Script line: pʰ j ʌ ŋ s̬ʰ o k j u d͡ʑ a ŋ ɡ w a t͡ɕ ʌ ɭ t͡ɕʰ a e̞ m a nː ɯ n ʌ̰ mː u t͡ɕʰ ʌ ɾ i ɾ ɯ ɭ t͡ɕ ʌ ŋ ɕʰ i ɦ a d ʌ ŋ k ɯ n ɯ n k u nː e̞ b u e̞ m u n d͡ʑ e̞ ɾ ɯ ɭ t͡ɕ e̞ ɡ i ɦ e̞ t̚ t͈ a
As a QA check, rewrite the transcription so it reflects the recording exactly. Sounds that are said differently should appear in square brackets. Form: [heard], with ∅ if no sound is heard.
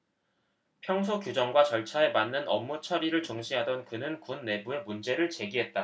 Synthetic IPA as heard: pʰ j ʌ ŋ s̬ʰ o k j u d͡ʑ [ʌ] ŋ ɡ w a t͡ɕ ʌ ɭ t͡ɕʰ a e̞ m a nː ɯ n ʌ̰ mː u t͡ɕʰ ʌ ɾ i ɾ ɯ ɭ t͡ɕ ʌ ŋ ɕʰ i ɦ a d ʌ [n] k ɯ n ɯ n k u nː e̞ b u e̞ m u n d͡ʑ e̞ ɾ ɯ ɭ t͡ɕ e̞ ɡ i ɦ e̞ t̚ t͈ a